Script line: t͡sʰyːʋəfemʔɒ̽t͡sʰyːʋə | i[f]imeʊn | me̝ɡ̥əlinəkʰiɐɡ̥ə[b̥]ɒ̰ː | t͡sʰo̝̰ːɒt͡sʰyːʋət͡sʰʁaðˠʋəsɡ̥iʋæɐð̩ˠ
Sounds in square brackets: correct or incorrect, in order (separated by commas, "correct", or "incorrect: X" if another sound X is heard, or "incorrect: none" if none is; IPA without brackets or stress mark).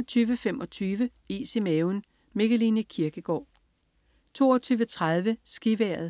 incorrect: s, incorrect: ɡ̥